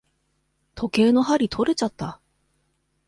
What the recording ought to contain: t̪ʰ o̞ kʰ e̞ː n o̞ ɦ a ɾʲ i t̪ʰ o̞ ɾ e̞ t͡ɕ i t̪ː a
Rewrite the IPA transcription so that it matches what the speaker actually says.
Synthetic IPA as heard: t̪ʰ o̞ k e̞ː n o̞ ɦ a ɾʲ i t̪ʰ o̞ ɾ e̞ t͡ɕ a t̪ː a